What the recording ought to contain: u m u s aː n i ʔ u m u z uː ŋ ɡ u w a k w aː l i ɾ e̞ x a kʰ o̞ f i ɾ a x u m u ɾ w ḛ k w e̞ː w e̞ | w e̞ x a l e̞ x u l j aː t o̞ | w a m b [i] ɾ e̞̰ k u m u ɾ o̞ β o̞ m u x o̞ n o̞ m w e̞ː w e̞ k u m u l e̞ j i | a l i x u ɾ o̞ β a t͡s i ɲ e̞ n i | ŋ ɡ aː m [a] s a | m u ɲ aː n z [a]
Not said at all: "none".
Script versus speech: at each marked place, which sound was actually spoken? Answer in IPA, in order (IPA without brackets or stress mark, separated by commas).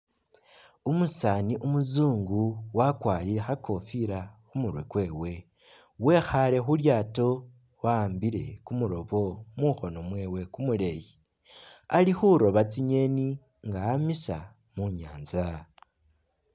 i, i, a